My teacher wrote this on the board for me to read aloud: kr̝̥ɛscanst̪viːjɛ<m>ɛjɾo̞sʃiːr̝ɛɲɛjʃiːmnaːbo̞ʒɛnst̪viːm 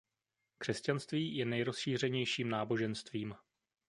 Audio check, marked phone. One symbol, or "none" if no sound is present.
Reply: n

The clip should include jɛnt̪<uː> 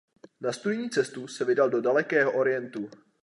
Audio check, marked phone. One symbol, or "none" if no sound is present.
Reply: u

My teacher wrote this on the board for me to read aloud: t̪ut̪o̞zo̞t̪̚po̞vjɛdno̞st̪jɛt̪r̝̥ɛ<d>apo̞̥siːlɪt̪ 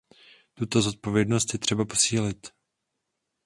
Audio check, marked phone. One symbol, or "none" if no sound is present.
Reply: b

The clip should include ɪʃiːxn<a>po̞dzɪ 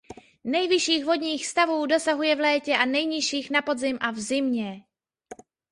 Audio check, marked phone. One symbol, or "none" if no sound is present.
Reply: a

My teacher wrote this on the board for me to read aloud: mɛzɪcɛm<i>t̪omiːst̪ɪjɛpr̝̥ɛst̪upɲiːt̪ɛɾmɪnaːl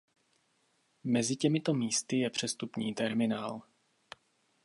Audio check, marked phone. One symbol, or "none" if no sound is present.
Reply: ɪ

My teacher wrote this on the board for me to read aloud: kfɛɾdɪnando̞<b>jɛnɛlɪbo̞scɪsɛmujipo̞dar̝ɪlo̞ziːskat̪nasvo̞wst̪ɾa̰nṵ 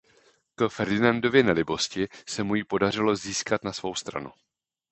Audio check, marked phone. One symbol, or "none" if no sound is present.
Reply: v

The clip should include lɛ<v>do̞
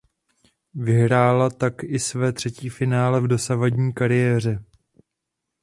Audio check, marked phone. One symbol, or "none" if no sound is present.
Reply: v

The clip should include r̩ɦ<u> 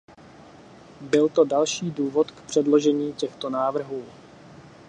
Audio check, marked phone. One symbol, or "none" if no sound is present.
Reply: uː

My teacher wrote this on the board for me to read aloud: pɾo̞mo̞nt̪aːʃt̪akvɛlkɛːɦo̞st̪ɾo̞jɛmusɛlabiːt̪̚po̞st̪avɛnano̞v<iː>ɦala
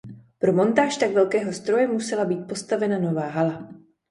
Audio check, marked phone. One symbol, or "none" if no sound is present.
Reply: aː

